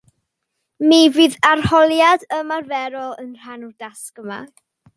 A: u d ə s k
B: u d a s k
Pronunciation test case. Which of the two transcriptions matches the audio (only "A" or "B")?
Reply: B